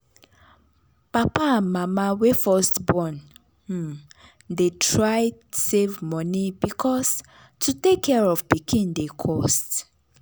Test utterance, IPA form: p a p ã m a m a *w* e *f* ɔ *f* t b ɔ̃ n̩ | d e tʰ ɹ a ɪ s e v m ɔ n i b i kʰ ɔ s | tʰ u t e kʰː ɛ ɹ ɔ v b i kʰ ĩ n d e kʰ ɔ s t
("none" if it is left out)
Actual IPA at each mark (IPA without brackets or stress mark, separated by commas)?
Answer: w, f, s